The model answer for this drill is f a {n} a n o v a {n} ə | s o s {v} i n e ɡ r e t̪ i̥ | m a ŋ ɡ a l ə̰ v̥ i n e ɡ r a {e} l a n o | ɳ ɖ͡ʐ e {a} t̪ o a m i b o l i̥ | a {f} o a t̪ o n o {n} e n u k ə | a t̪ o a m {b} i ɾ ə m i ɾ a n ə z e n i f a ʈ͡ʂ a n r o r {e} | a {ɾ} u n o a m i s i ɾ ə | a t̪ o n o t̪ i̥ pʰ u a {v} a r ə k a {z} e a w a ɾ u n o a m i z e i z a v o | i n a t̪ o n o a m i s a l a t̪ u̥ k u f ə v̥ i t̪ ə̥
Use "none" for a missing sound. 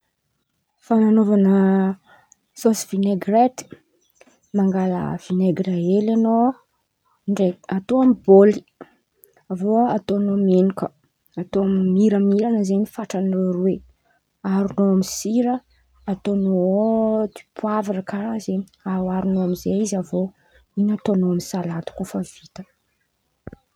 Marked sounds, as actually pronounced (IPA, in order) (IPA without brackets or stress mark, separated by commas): n, n, v, e, a, v, m, m, e, ɾ, v, z